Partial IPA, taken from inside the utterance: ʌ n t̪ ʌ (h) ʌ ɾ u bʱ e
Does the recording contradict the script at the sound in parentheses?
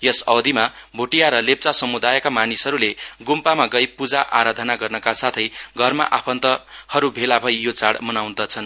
no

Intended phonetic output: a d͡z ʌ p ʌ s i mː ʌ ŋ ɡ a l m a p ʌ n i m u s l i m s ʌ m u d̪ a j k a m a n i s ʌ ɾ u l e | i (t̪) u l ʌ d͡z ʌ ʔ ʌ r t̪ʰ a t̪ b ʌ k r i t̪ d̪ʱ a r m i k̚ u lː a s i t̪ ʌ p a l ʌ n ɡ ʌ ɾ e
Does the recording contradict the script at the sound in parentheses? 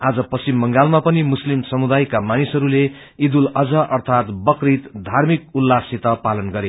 yes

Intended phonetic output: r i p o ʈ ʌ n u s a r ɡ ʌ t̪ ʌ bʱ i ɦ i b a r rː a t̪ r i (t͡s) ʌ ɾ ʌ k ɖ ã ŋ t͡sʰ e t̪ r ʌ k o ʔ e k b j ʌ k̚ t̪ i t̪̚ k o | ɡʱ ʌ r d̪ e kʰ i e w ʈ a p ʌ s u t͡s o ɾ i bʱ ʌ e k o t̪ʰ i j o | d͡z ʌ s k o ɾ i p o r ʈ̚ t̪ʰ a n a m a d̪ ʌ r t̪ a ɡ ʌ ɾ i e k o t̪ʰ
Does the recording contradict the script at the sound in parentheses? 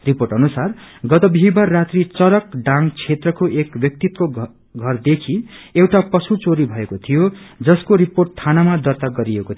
no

